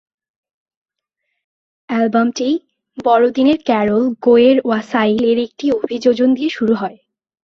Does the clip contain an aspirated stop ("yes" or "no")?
no